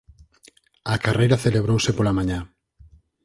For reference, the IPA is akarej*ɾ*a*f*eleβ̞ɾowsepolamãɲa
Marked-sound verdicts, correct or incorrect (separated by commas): correct, incorrect